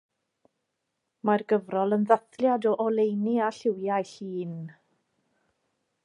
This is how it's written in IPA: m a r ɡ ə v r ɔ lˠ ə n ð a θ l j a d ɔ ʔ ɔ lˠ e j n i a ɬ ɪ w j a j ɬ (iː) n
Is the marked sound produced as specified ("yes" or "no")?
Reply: yes